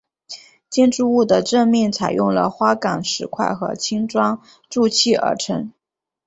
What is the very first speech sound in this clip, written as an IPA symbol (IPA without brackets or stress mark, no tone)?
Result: t͡ɕ